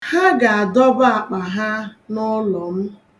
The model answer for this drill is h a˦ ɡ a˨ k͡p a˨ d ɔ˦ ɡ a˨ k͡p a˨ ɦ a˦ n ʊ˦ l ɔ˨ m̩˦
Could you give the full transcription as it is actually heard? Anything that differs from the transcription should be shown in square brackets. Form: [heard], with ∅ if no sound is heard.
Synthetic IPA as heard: h a˦ ɡ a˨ [∅] a˨ d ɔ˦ [b] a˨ k͡p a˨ ɦ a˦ n ʊ˦ l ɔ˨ m̩˦